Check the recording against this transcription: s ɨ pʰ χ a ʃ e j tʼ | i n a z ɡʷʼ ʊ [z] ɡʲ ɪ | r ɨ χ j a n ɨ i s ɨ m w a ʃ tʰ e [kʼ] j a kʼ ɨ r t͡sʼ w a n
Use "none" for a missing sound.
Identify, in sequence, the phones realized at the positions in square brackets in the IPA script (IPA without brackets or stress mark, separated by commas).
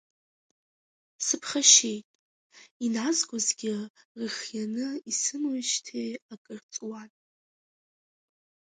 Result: z, none